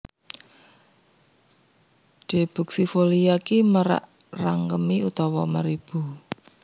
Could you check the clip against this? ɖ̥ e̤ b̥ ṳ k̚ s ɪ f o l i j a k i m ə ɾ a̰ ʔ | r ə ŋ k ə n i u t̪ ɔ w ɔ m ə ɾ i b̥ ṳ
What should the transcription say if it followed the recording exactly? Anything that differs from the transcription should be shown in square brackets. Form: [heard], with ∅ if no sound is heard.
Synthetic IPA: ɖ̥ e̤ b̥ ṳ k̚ s [i] f o l i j a k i m ə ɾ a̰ ʔ | r [a] ŋ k ə [m] i u t̪ ɔ w ɔ m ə ɾ i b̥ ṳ